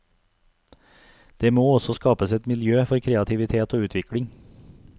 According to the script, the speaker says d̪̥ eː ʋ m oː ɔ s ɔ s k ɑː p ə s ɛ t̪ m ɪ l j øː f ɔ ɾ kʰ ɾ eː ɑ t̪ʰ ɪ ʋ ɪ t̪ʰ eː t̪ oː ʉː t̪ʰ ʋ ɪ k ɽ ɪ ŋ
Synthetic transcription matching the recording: d̪̥ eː m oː ɔ s ɔ s k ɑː p ə s ɛ t̪ m ɪ l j øː f ɔ ɾ kʰ ɾ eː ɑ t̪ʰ ɪ ʋ ɪ t̪ʰ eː t̪ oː ʉː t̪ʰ ʋ ɪ k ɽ ɪ ŋ